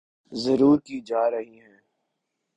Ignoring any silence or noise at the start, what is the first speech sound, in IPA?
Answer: z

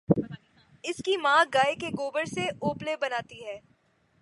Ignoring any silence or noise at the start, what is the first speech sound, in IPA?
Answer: ɪ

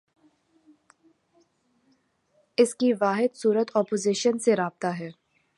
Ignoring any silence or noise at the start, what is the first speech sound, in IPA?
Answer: ɪ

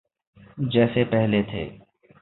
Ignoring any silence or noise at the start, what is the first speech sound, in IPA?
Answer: d͡ʒ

